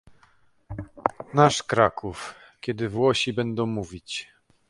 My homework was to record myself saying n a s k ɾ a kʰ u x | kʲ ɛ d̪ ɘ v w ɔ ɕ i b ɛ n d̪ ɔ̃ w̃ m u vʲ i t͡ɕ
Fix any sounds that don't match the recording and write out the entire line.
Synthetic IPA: n a ʂ k ɾ a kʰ u f | kʲ ɛ d̪ ɘ v w ɔ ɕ i b ɛ n d̪ ɔ̃ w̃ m u vʲ i t͡ɕ